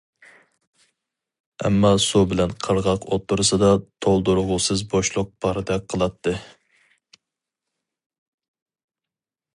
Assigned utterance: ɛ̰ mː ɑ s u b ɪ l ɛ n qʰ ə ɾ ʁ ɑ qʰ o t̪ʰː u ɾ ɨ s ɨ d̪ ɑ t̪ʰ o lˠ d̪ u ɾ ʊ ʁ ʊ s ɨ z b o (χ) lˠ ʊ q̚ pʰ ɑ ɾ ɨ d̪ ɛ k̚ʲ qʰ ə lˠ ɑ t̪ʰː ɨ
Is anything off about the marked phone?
yes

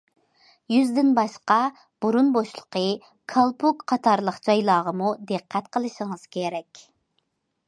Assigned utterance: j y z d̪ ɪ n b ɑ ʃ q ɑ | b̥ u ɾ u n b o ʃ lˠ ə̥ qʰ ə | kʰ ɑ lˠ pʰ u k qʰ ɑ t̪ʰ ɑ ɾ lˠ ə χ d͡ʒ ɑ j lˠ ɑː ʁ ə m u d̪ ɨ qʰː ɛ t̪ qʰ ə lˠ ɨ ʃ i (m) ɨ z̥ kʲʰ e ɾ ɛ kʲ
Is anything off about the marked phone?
yes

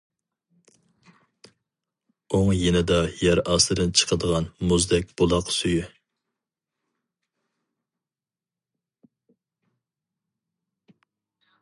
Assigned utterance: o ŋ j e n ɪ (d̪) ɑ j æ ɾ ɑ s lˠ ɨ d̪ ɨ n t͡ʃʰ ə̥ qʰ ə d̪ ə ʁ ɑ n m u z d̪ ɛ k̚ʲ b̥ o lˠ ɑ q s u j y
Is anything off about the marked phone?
no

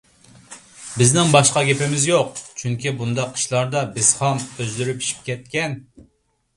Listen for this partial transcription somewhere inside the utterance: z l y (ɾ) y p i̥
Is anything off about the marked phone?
no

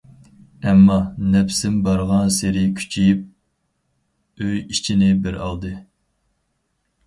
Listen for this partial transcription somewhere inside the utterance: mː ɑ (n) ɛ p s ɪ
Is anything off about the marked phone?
no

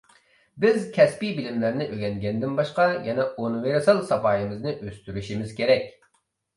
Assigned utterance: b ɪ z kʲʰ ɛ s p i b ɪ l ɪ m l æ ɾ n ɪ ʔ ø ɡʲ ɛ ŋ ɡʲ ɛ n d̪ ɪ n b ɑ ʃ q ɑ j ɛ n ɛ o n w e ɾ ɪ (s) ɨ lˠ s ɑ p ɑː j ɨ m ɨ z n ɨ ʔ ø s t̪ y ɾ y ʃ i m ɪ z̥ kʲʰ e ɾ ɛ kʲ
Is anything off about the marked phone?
no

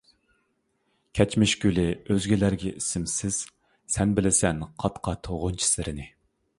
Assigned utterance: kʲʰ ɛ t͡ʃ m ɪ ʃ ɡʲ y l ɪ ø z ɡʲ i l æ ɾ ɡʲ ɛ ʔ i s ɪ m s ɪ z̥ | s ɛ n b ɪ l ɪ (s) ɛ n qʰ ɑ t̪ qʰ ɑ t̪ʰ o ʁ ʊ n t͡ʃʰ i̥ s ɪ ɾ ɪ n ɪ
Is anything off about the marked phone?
no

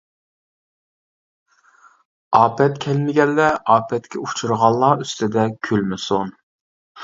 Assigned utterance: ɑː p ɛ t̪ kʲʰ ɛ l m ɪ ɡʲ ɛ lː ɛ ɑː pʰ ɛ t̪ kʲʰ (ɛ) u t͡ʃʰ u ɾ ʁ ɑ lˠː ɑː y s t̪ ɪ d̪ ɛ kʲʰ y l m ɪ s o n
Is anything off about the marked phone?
no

